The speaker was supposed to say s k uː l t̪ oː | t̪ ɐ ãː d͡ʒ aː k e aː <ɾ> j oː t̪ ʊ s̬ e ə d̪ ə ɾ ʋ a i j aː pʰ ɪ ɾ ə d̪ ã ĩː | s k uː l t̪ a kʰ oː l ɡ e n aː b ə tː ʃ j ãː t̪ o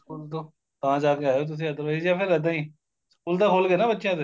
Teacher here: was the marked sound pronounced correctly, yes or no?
no